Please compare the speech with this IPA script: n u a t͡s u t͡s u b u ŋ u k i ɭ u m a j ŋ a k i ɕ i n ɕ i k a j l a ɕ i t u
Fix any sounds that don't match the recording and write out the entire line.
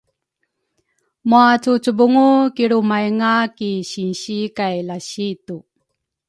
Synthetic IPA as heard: m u a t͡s u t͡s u b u ŋ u k i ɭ u m a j ŋ a k i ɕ i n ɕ i k a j l a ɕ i t u